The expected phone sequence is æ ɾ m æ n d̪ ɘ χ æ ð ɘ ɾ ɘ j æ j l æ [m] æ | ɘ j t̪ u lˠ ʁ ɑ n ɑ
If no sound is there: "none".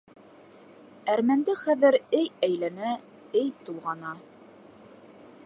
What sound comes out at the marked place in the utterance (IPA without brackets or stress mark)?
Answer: n